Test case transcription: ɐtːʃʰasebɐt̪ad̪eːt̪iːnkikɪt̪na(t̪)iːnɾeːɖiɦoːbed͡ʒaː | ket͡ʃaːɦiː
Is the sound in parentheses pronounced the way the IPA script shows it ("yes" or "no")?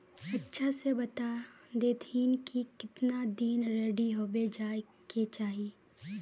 no